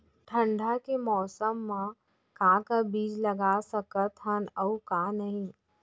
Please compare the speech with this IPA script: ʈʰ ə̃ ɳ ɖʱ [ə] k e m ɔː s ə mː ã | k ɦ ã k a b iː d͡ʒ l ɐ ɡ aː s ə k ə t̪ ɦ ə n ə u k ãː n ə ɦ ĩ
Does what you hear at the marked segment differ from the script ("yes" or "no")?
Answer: yes